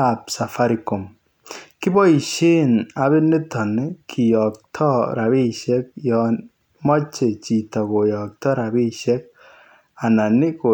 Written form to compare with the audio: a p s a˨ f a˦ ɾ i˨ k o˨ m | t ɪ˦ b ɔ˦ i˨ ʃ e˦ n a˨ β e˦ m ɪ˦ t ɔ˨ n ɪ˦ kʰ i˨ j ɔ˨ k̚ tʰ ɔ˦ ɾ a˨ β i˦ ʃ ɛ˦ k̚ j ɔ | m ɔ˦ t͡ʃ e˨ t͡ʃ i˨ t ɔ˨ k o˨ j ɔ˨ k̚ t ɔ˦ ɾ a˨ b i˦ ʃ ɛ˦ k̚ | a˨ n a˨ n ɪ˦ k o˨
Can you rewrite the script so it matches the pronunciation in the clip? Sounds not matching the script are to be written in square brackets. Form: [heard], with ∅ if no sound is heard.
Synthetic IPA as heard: a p s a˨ f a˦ ɾ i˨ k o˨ m | [k] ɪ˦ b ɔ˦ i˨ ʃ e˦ n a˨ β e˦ [n] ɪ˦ t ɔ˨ n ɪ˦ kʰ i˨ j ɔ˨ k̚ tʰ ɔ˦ ɾ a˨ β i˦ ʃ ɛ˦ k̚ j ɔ | m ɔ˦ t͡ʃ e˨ t͡ʃ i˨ t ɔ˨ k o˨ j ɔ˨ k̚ t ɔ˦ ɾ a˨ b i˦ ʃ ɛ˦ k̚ | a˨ n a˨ n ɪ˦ k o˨